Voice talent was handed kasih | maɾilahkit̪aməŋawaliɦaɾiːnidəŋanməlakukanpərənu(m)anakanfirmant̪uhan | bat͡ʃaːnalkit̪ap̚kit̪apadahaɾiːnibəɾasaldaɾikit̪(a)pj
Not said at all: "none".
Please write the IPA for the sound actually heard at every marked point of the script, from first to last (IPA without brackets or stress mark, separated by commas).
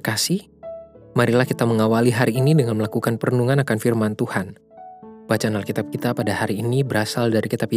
ŋ, a